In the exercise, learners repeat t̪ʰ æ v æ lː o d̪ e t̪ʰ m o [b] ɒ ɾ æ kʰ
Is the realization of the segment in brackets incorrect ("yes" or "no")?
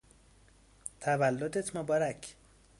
no